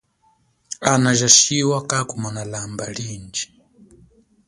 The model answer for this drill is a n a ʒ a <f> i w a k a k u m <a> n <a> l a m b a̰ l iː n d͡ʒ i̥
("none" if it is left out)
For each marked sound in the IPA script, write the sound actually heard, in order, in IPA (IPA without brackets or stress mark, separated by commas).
ʃ, a, a